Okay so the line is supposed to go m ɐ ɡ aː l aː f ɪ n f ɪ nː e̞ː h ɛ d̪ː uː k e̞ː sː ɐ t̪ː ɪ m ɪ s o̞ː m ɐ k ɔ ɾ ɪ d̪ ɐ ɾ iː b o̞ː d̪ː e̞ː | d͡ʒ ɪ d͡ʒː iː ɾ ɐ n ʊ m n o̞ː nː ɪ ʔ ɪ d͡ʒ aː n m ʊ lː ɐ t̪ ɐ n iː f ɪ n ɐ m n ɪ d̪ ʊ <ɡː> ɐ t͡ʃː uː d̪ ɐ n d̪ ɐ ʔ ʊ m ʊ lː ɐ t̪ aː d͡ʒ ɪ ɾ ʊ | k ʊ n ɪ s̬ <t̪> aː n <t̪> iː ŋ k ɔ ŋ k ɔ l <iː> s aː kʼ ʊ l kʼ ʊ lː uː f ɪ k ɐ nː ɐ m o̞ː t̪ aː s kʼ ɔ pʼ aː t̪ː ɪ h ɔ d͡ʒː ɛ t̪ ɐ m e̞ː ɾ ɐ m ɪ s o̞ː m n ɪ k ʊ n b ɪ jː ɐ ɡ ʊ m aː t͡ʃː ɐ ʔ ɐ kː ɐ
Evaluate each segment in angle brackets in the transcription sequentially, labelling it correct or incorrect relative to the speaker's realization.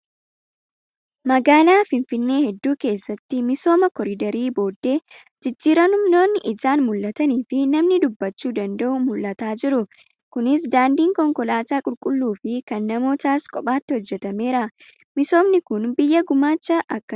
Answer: incorrect: bː, incorrect: d̪, incorrect: d̪, incorrect: aː

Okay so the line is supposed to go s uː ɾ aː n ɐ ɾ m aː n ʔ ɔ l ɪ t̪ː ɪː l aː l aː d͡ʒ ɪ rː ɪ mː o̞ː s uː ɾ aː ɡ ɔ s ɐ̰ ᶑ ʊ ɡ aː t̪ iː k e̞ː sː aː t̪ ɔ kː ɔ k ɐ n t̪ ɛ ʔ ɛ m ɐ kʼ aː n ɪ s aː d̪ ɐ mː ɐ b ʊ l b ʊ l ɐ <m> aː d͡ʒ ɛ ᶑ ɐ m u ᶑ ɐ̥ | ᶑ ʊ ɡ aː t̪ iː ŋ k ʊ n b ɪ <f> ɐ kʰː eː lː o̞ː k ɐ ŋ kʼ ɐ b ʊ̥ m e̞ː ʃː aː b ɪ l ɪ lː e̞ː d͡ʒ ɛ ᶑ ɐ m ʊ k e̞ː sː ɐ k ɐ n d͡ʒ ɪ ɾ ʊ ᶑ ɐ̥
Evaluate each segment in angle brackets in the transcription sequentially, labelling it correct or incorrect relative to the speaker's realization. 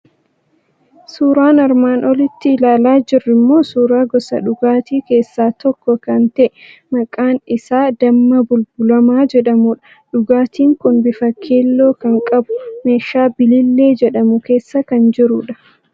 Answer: correct, correct

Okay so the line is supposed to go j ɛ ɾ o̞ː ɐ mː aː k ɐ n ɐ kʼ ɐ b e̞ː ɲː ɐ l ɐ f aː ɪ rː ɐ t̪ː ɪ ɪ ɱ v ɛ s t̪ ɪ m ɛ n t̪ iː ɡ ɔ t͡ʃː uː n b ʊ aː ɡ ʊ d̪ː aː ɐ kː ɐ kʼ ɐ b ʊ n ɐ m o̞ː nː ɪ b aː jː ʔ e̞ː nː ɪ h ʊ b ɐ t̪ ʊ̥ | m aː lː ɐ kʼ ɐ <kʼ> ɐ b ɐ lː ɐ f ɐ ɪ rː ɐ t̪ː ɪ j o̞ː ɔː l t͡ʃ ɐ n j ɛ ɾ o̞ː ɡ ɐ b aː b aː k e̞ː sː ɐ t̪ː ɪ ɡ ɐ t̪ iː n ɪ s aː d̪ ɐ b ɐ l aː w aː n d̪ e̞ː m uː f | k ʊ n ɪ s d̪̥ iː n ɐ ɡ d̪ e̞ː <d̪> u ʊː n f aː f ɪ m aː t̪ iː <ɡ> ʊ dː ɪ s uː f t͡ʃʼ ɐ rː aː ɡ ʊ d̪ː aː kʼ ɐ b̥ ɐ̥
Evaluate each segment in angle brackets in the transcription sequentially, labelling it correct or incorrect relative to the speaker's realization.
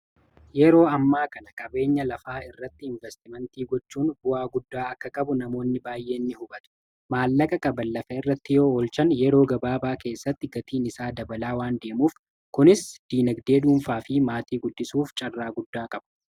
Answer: correct, correct, correct

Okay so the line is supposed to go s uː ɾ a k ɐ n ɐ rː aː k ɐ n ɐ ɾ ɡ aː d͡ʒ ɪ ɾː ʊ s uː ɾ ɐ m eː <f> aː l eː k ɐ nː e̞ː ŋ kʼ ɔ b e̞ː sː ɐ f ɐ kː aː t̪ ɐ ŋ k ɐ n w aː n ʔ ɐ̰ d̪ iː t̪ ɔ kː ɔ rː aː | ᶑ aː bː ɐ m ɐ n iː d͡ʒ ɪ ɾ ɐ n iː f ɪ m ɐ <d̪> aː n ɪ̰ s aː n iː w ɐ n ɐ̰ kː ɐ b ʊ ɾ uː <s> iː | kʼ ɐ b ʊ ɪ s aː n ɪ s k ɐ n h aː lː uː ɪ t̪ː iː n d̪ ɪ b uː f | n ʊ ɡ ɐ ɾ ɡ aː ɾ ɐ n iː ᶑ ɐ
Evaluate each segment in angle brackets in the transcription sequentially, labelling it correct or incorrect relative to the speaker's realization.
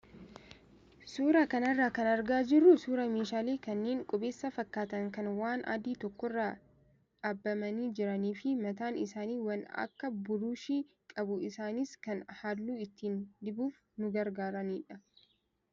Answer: incorrect: ʃ, incorrect: t̪, incorrect: ʃ

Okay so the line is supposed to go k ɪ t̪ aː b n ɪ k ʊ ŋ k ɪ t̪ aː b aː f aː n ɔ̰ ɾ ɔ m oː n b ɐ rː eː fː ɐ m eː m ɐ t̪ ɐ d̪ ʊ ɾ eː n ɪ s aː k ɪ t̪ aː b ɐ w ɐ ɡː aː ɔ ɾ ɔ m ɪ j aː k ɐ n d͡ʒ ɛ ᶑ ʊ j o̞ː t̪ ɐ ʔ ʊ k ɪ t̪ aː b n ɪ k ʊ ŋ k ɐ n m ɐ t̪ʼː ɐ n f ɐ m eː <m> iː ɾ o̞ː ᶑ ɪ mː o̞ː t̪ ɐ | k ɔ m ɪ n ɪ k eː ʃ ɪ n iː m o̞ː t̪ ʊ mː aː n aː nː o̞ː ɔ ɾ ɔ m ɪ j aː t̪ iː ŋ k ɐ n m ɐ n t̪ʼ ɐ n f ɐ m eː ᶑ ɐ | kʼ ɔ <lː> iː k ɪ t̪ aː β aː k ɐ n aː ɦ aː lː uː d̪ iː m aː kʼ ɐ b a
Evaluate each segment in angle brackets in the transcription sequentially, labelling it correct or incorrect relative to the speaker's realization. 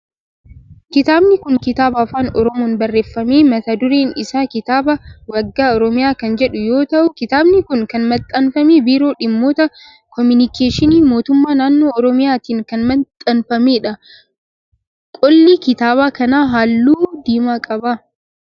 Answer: incorrect: b, correct

